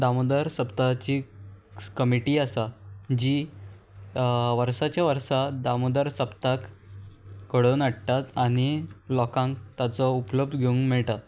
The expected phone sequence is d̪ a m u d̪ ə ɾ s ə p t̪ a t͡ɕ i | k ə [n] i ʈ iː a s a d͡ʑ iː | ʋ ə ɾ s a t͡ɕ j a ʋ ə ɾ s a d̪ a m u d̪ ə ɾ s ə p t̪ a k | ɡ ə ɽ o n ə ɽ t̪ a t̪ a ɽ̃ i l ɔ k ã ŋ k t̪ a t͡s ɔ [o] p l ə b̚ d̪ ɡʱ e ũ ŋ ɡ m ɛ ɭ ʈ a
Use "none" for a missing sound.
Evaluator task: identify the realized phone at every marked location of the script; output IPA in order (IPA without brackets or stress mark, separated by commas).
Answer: m, u